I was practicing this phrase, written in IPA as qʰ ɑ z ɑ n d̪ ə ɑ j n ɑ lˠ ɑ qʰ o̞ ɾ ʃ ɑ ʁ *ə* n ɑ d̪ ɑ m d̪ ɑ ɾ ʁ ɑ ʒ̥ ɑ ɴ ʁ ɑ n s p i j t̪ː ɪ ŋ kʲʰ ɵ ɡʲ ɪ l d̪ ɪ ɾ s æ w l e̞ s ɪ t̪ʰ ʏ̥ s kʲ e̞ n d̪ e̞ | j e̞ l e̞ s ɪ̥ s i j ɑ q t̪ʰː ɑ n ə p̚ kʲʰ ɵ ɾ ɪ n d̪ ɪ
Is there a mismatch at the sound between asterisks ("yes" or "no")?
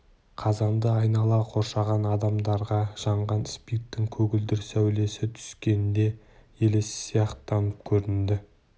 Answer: yes